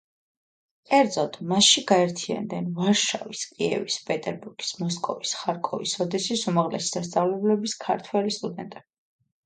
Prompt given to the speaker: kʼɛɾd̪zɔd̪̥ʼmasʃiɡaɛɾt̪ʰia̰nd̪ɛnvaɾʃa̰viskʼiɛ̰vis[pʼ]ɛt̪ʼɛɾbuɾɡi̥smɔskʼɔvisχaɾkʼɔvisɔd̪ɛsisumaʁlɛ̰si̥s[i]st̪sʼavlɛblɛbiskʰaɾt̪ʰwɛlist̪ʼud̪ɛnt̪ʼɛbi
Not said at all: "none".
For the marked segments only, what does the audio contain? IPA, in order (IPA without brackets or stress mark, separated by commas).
pʼ, a